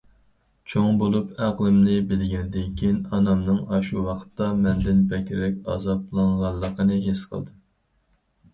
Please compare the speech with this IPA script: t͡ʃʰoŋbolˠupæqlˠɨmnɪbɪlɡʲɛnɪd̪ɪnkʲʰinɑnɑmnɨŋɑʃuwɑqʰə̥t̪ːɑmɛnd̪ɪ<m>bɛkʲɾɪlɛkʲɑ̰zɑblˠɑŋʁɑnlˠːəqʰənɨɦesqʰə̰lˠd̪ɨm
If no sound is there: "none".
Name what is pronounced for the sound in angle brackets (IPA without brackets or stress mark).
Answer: n